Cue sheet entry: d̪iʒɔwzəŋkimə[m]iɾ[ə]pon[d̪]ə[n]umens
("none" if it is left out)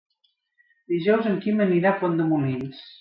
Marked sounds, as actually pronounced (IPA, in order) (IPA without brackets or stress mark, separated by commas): n, a, d̪, m